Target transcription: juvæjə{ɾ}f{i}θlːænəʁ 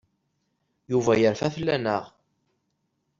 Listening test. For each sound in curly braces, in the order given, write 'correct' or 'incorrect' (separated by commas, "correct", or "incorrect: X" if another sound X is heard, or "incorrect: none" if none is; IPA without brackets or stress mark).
correct, incorrect: æ